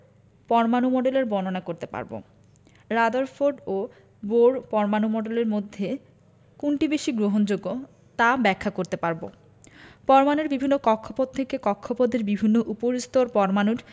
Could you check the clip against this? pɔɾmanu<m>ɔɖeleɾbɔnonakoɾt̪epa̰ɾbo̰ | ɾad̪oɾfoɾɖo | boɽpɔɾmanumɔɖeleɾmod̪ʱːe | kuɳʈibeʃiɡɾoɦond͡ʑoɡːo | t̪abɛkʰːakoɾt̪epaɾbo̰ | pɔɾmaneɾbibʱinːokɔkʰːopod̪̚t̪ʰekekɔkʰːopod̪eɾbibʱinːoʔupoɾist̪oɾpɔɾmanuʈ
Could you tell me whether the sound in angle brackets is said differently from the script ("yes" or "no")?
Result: no